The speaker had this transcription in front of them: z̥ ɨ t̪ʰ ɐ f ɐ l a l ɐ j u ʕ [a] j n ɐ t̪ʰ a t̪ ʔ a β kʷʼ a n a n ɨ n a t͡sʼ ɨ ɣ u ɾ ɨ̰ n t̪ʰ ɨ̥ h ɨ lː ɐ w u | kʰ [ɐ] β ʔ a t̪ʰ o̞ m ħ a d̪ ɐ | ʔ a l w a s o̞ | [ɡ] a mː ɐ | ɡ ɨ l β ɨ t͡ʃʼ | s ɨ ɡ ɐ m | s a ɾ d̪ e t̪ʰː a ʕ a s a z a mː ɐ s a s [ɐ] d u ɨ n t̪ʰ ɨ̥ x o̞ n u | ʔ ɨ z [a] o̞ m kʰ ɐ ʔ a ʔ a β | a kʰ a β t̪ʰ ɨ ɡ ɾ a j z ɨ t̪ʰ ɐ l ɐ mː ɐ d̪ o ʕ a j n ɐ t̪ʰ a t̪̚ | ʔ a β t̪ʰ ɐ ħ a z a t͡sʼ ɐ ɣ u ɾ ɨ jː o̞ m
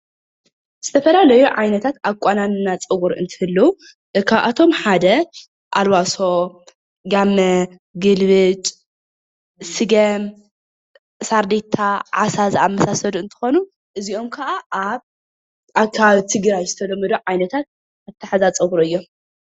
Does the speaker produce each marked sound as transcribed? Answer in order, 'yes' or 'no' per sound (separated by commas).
yes, no, yes, yes, no